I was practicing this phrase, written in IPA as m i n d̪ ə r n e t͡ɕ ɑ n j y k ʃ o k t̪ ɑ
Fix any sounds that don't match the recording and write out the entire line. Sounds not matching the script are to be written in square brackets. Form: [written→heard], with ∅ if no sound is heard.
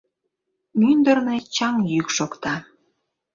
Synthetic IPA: m [i→y] n d̪ ə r n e t͡ɕ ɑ [n→ŋ] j y k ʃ o k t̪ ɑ

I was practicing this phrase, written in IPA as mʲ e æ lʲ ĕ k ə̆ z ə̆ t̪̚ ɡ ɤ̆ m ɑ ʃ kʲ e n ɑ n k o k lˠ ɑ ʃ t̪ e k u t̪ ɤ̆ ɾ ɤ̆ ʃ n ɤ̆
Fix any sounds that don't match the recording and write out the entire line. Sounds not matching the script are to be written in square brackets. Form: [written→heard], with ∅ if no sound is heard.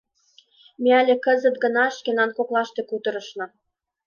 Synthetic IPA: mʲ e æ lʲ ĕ k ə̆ z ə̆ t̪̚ ɡ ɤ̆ [m→n] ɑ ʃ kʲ e n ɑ n k o k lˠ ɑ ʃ t̪ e k u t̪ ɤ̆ ɾ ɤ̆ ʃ n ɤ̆

